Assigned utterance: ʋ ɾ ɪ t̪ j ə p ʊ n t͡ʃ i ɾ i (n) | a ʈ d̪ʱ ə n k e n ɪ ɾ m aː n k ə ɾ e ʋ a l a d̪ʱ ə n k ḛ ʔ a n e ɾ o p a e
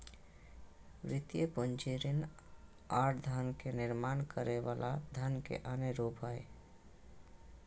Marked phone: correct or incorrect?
correct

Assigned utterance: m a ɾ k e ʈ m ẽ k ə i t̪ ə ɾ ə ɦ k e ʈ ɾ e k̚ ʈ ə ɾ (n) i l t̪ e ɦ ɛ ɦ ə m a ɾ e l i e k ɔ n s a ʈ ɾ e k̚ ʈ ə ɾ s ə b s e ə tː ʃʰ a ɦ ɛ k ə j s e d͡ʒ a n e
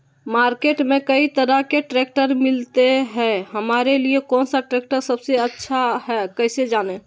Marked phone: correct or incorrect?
incorrect: m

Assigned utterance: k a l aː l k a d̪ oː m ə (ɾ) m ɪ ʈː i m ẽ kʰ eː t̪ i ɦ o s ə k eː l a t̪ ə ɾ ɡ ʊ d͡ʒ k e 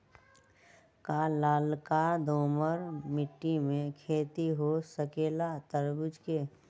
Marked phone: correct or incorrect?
correct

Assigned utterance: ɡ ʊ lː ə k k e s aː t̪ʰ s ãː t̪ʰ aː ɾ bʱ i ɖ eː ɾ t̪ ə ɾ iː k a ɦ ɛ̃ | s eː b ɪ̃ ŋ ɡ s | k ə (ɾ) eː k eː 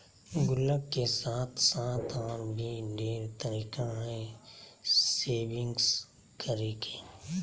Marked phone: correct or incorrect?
correct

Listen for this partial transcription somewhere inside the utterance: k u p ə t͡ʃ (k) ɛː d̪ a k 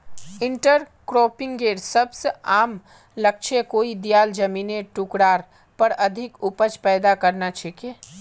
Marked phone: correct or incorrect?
incorrect: p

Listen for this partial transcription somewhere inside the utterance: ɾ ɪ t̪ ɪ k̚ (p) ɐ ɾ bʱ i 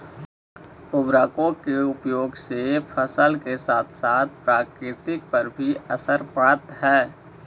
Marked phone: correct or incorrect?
correct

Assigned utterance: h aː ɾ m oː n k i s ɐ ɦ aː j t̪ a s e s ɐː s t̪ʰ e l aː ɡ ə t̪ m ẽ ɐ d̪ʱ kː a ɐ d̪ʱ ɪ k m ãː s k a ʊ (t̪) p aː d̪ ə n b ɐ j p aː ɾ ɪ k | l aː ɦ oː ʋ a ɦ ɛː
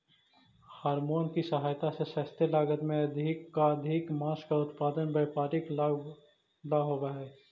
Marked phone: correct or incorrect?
correct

